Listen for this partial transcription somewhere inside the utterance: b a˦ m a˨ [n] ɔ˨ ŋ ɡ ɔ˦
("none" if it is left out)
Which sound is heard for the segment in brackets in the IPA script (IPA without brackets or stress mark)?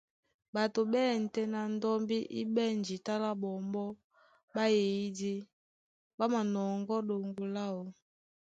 n